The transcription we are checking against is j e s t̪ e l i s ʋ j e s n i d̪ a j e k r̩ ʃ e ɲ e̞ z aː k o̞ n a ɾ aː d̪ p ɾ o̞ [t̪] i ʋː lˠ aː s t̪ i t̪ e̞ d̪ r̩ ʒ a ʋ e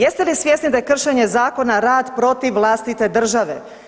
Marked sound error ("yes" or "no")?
no